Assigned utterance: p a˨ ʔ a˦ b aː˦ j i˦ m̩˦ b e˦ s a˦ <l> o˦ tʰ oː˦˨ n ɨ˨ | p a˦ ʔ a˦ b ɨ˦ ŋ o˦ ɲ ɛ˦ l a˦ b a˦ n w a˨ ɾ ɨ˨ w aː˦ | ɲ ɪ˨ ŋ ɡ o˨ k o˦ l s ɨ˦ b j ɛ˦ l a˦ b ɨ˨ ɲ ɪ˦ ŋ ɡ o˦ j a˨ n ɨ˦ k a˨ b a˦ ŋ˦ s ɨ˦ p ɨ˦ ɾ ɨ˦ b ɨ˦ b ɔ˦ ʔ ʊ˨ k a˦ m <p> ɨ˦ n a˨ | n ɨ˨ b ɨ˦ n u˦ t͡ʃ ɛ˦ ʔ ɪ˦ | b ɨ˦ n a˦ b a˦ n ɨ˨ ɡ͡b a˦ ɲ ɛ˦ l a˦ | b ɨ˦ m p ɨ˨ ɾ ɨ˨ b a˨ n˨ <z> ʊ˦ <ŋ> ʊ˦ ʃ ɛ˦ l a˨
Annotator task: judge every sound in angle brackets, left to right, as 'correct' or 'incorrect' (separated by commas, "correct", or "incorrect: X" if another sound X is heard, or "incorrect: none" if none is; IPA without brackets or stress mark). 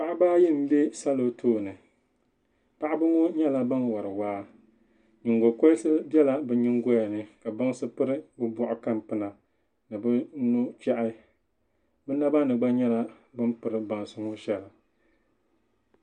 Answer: correct, correct, incorrect: s, correct